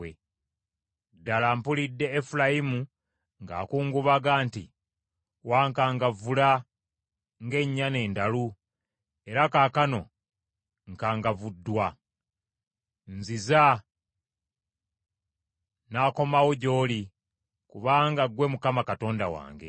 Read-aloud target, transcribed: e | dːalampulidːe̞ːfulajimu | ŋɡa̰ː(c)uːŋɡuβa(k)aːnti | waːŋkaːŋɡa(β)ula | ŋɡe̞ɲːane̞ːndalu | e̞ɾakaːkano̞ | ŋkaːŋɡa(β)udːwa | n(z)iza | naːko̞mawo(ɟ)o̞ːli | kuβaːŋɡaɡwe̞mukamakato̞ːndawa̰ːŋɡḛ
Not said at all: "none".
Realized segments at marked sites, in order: k, ɡ, v, v, z, ɟ

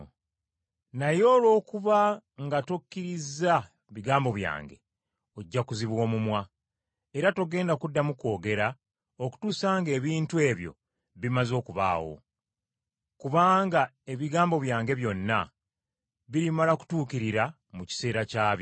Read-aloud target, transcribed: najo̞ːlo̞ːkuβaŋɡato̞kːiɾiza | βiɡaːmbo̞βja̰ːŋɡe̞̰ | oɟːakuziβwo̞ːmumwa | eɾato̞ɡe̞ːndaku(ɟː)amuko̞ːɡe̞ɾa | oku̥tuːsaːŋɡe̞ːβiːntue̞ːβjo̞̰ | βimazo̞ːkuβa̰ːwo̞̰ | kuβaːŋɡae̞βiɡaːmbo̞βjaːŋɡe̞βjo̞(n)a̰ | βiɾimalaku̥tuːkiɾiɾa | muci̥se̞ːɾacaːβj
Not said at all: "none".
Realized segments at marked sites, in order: dː, nː

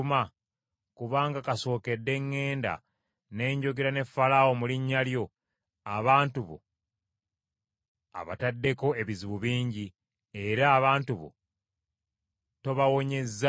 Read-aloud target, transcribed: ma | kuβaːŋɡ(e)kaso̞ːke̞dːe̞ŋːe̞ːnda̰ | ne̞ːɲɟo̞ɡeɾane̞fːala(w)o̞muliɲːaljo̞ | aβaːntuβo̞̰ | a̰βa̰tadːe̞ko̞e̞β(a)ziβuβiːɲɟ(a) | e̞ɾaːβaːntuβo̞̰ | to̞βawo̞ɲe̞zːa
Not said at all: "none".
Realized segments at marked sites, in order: a, w, i, i

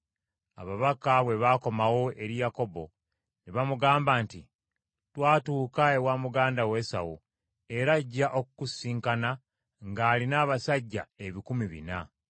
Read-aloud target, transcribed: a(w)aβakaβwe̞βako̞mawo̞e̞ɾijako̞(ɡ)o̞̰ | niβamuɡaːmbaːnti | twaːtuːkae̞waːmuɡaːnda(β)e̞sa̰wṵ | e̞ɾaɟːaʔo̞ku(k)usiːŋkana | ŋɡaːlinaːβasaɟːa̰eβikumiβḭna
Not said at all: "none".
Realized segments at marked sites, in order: β, b, w, k

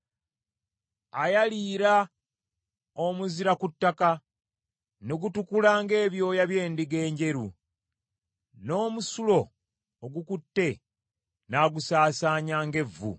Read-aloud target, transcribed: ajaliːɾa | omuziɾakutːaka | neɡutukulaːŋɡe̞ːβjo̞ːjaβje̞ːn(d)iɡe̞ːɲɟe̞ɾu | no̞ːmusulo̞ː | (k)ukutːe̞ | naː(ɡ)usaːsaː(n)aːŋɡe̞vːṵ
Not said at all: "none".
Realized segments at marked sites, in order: d, ɡ, ɡ, ɲ

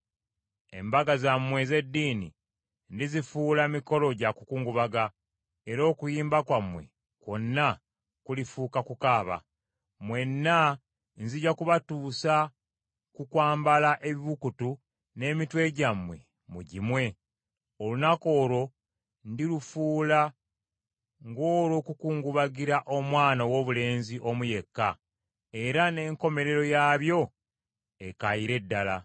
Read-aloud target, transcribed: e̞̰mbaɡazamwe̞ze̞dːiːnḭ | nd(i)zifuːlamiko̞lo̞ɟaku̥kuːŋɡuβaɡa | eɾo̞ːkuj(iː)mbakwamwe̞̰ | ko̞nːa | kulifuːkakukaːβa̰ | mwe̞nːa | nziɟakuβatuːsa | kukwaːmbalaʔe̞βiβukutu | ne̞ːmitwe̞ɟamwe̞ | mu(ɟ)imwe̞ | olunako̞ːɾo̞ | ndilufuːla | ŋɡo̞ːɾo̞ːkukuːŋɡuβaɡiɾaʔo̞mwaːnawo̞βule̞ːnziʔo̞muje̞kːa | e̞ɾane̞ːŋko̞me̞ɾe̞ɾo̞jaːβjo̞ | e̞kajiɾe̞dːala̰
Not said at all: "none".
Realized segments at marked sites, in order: i, iː, ɟ

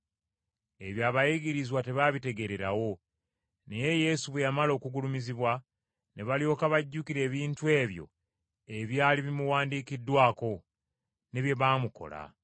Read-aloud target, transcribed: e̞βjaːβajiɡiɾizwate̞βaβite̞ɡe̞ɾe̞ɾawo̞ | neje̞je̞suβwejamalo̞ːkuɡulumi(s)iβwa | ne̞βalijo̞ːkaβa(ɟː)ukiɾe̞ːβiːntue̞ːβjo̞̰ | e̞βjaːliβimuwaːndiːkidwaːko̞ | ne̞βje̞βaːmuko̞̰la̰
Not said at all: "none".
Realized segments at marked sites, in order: z, ɟː

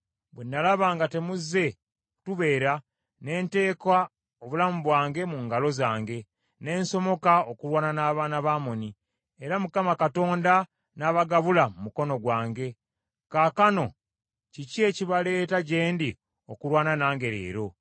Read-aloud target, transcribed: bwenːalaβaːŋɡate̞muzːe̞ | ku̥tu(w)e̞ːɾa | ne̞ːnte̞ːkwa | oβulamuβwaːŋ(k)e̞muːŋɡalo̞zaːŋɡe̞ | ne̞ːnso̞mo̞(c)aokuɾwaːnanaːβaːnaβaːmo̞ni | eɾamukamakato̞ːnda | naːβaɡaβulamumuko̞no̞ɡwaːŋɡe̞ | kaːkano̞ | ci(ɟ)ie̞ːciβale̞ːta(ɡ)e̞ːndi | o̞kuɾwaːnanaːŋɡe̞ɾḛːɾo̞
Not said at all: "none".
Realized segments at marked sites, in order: β, ɡ, k, c, ɟ

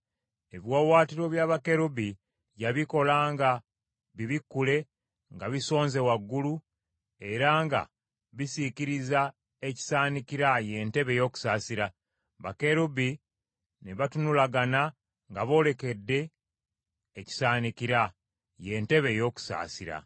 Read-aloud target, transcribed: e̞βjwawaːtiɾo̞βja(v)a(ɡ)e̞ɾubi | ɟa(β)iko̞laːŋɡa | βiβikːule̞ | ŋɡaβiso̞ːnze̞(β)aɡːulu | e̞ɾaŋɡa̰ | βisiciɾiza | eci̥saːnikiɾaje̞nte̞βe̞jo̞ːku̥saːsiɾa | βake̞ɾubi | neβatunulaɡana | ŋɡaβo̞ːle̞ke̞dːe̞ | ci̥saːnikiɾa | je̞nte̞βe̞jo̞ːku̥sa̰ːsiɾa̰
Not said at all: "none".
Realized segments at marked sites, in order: β, k, β, w

